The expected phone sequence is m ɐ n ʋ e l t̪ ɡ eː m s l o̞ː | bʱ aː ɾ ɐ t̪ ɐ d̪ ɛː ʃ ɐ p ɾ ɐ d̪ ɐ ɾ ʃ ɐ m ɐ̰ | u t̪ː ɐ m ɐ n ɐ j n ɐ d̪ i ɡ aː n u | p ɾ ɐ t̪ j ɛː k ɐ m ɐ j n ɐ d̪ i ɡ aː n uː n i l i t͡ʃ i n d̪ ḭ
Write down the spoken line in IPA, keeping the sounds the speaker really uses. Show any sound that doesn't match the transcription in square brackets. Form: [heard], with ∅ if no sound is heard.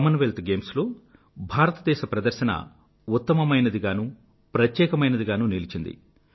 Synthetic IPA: m ɐ n ʋ e l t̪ ɡ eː m s l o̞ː | bʱ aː ɾ ɐ t̪ ɐ d̪ ɛː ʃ ɐ p ɾ ɐ d̪ ɐ ɾ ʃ ɐ [n] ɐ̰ | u t̪ː ɐ m ɐ [m] ɐ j n ɐ d̪ i ɡ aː n u | p ɾ ɐ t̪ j ɛː k ɐ m ɐ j n ɐ d̪ i ɡ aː n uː n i l i t͡ʃ i n d̪ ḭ